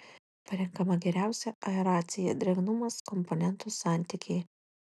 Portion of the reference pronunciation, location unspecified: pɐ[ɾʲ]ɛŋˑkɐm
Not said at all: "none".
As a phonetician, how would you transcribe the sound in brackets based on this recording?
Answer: ɾʲ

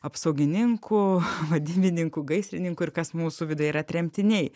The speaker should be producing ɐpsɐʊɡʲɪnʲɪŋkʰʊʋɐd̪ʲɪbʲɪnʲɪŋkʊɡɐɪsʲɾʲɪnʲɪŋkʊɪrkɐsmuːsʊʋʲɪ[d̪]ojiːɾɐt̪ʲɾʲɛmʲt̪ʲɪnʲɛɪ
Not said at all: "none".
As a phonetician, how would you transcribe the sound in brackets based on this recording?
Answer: d̪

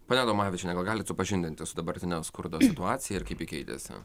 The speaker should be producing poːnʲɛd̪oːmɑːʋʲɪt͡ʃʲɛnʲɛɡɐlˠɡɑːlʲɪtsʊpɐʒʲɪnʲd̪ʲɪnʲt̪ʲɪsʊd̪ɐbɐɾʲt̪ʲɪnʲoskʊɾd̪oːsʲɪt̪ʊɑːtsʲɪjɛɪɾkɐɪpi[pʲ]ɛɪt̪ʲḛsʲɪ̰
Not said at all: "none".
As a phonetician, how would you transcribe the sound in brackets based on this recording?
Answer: kʲ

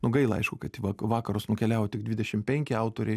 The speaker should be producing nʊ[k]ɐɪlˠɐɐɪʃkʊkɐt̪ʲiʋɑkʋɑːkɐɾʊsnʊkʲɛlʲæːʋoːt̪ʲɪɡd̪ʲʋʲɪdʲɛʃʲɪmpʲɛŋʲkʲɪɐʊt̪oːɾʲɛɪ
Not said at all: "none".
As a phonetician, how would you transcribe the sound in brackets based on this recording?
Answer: ɡ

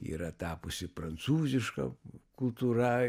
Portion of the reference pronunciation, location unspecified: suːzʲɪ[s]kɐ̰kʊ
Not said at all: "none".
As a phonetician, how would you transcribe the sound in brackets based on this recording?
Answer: ʃ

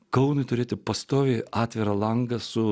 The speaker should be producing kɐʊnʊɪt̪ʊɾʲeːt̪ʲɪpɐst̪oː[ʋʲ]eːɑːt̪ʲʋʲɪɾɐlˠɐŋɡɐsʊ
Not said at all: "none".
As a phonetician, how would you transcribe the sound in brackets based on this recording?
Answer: ʋʲ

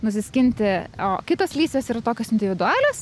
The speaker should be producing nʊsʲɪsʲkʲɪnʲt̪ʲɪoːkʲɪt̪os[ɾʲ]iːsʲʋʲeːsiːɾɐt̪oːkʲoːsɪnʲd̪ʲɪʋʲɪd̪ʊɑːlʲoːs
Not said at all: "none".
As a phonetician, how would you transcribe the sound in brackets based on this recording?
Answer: lʲ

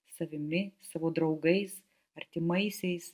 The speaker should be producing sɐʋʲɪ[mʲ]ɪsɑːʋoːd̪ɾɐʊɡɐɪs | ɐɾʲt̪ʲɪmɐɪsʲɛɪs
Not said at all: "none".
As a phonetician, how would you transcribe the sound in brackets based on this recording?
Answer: mʲ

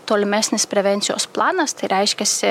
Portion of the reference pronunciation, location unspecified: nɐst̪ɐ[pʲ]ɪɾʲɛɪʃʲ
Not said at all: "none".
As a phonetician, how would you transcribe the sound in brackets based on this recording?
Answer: none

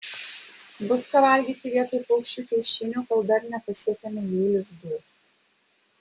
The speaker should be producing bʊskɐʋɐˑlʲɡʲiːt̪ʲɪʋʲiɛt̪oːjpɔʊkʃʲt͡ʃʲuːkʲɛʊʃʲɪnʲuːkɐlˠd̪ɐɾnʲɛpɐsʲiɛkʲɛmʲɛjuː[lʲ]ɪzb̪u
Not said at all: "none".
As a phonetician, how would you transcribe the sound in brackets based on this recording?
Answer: lʲ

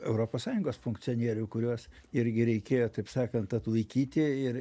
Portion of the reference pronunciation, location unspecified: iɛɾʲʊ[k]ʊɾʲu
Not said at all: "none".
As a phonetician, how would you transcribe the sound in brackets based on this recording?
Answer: k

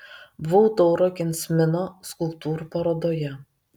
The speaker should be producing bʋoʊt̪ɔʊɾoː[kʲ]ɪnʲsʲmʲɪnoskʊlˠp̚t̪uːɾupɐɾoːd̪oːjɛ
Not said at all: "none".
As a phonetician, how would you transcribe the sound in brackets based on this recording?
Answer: kʲ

